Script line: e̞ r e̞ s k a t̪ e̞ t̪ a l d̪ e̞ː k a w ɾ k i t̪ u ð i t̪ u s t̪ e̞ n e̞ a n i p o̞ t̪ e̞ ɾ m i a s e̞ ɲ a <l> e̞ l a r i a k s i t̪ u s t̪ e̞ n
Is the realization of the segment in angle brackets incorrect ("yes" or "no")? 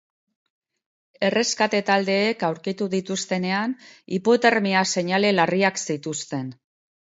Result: no